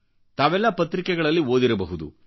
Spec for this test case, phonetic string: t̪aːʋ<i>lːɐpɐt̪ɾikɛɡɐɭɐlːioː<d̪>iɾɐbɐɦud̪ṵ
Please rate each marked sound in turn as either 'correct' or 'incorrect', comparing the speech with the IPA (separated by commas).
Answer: incorrect, correct